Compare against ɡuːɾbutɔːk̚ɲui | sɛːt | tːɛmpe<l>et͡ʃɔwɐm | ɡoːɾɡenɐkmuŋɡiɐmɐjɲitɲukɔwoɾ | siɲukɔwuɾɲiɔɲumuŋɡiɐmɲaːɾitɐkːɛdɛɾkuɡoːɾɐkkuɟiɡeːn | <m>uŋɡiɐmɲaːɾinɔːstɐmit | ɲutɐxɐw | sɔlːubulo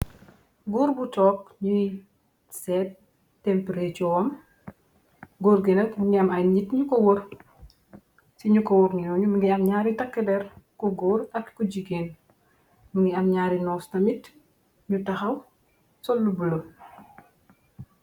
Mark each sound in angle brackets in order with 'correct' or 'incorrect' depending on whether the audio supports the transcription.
incorrect, correct

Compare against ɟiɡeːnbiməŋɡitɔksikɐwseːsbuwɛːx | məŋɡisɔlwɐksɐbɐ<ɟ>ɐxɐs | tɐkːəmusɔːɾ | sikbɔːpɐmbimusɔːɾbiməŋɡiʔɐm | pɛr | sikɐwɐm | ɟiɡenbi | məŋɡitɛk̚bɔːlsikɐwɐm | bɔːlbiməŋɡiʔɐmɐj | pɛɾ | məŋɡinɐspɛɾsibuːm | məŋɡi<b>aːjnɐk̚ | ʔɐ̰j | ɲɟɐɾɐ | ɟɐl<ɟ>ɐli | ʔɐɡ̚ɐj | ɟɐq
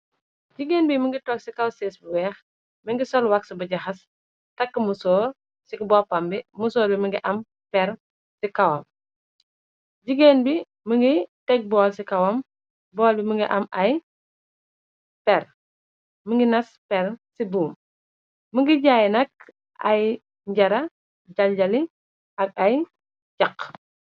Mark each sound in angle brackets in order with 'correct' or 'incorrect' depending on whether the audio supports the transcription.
correct, incorrect, correct

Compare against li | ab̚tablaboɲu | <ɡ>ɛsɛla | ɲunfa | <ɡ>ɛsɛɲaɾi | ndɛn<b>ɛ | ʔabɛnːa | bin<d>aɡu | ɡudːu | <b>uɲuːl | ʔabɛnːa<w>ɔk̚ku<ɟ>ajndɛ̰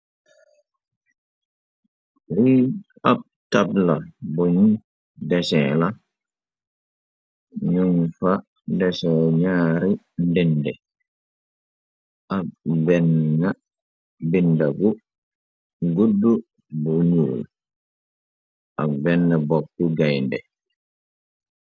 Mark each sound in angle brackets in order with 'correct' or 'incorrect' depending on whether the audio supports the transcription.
incorrect, incorrect, incorrect, correct, correct, incorrect, incorrect

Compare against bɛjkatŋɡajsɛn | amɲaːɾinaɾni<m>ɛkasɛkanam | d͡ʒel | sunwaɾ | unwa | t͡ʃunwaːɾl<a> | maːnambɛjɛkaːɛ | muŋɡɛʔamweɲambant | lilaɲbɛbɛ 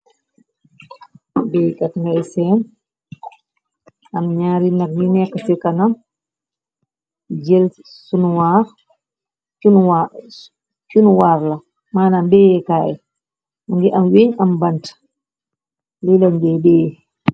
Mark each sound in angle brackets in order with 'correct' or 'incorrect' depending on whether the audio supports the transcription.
incorrect, correct

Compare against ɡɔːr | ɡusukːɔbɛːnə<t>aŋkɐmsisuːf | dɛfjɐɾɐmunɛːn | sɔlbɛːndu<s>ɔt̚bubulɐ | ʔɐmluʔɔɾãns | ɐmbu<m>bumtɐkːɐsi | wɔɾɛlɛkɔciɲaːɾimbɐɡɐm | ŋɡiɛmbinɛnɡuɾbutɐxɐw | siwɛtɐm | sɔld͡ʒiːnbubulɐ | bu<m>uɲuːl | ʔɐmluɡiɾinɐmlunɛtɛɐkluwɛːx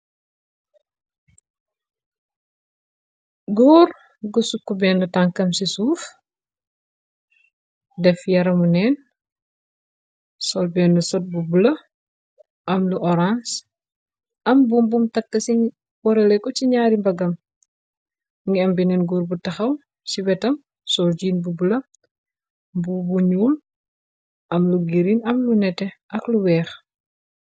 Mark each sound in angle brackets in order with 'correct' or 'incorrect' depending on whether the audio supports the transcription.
correct, correct, correct, incorrect

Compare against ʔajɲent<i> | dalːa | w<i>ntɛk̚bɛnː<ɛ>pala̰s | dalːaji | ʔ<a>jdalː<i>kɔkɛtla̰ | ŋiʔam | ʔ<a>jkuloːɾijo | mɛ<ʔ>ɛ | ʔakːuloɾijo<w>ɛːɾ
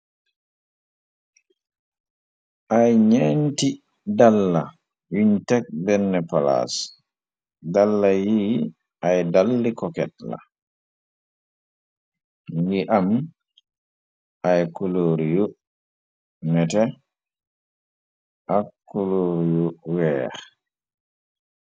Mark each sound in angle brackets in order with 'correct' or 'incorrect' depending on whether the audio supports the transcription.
correct, correct, correct, correct, correct, correct, incorrect, correct

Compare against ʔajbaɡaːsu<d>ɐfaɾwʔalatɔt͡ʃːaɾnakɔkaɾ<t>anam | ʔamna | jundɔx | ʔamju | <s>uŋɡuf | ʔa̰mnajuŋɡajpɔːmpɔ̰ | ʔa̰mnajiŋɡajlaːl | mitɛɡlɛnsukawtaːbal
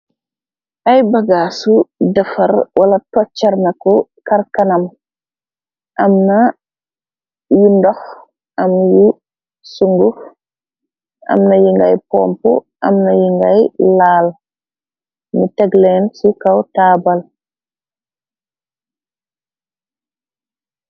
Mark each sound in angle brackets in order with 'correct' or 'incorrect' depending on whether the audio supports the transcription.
correct, incorrect, correct

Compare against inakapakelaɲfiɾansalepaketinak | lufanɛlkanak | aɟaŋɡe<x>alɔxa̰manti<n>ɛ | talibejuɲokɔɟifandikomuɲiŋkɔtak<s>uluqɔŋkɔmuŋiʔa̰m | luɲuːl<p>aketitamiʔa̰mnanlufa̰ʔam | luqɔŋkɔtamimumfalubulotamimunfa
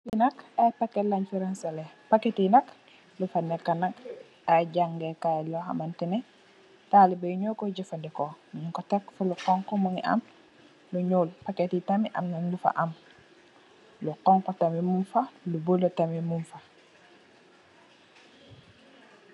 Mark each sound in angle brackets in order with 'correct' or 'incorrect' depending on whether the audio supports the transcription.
incorrect, correct, incorrect, correct

